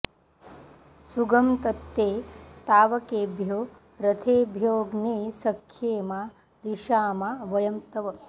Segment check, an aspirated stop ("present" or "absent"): present